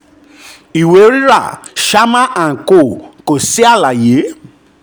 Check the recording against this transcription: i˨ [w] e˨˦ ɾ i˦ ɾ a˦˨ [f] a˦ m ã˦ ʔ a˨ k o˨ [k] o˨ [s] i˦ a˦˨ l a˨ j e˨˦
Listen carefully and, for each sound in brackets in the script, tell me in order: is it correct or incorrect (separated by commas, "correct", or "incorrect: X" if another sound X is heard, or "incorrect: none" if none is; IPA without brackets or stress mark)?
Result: correct, incorrect: ʃ, correct, correct